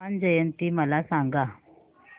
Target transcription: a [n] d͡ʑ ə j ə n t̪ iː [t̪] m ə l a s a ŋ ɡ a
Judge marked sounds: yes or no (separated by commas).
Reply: yes, no